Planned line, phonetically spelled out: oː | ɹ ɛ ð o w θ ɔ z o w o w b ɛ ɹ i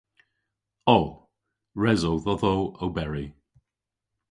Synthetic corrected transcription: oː | ɹ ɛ z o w ð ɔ ð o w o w b ɛ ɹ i